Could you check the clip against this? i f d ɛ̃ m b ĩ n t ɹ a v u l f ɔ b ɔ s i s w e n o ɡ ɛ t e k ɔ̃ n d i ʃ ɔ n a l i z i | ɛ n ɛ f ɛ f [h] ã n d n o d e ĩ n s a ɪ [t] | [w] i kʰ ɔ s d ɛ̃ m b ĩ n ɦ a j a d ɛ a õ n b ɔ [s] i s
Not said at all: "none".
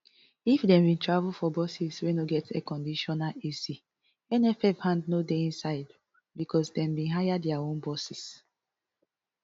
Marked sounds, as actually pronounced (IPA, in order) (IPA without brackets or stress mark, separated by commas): h, d, b, s